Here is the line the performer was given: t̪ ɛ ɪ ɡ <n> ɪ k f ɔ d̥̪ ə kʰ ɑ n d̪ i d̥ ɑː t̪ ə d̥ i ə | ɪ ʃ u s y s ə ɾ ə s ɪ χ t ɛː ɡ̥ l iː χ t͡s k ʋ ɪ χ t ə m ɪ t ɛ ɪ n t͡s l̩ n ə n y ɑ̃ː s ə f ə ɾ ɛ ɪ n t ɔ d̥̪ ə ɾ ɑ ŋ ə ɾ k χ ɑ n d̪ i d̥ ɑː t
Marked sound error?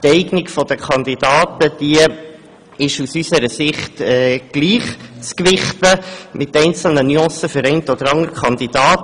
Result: no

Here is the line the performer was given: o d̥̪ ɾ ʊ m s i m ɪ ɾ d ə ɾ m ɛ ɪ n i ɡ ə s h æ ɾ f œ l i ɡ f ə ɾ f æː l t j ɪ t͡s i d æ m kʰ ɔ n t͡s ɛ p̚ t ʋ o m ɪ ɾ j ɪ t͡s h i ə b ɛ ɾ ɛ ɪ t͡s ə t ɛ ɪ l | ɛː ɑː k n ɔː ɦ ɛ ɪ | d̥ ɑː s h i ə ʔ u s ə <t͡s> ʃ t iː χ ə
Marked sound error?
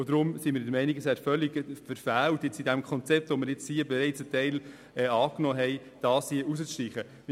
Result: no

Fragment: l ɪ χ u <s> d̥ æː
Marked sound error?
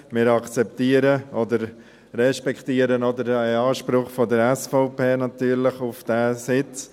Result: yes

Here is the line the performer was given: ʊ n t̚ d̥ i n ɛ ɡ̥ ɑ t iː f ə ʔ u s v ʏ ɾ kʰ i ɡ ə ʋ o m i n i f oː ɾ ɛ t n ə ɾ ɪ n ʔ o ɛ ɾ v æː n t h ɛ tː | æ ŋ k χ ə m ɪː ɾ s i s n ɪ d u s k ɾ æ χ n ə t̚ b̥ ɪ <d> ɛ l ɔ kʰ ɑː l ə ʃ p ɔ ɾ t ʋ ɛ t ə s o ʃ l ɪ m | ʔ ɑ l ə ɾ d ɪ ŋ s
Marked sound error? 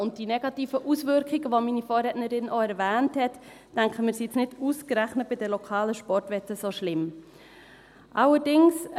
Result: no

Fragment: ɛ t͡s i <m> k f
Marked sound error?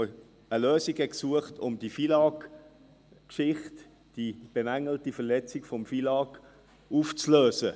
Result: yes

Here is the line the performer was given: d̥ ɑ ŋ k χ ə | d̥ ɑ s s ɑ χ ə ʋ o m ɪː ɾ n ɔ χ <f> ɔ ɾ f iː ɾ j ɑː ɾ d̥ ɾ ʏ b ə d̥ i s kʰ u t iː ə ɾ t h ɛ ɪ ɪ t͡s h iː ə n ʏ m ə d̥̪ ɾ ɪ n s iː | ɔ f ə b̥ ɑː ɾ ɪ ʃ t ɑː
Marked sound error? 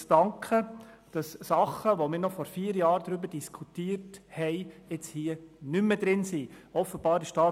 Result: no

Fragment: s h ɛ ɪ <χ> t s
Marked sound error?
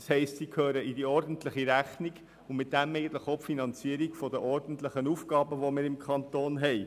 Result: yes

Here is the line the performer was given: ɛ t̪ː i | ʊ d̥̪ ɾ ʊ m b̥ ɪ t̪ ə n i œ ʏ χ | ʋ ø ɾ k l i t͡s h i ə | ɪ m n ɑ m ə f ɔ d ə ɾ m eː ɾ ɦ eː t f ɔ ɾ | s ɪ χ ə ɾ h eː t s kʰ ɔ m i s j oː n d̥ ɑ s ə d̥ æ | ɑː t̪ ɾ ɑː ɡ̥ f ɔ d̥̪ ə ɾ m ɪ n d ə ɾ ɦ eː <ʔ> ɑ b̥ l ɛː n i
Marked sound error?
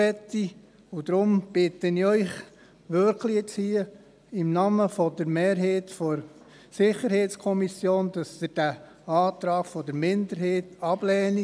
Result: yes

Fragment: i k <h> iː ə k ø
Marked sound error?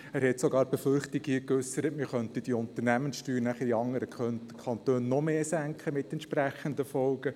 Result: no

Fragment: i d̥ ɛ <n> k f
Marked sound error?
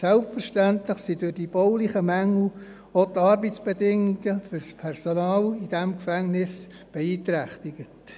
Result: yes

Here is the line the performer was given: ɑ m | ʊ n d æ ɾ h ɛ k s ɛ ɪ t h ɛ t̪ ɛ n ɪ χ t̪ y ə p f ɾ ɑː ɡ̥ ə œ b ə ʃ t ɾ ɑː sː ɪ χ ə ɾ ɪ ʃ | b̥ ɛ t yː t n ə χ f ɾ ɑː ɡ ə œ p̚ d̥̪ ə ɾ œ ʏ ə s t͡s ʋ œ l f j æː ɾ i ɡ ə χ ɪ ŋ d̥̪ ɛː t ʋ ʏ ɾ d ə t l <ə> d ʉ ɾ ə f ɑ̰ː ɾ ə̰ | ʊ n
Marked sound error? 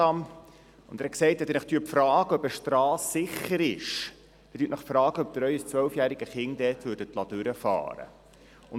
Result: yes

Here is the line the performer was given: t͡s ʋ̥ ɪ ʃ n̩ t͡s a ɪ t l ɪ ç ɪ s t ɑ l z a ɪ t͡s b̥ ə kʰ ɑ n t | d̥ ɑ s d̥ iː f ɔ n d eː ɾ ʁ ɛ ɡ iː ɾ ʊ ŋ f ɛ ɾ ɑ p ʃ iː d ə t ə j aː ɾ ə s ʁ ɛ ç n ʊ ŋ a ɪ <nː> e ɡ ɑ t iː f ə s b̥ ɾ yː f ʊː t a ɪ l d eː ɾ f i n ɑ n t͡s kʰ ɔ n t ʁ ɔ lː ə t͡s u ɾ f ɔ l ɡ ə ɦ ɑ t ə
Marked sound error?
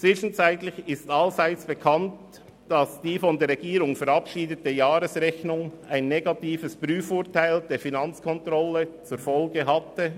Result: no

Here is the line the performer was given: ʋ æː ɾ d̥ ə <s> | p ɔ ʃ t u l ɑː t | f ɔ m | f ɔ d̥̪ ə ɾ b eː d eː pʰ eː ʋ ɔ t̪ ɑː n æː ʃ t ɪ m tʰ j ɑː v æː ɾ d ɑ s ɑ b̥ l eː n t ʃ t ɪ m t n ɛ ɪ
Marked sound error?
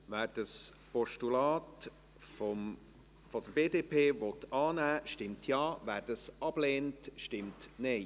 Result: no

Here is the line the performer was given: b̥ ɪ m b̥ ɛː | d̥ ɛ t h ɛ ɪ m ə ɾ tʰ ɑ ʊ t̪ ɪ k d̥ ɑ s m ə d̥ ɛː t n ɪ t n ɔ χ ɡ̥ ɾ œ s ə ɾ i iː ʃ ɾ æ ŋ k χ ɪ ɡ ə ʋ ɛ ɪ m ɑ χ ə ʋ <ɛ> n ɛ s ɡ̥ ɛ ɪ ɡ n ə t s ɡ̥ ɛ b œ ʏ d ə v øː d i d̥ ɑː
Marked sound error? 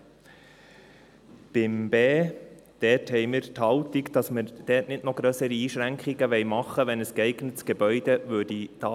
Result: no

